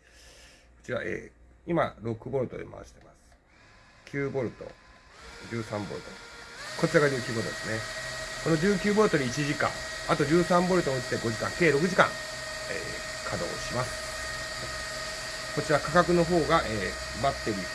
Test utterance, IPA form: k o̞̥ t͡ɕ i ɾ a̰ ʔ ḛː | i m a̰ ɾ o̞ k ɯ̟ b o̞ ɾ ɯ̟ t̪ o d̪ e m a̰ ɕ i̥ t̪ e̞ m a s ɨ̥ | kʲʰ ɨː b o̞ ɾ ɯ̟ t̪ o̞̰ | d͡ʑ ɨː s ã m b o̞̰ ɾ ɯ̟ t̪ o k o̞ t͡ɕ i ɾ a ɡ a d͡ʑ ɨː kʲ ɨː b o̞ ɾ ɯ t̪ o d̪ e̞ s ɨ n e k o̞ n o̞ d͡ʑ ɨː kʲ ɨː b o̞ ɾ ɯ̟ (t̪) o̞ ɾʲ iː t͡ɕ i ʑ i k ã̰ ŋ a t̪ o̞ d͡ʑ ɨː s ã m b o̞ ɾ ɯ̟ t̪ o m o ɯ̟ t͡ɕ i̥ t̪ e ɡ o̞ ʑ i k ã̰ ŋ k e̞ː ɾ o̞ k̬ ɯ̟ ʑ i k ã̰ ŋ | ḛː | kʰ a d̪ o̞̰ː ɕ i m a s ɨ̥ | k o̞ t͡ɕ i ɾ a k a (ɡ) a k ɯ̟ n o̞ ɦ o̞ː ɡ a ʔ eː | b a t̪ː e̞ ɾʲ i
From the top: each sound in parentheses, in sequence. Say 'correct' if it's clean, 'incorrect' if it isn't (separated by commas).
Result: correct, incorrect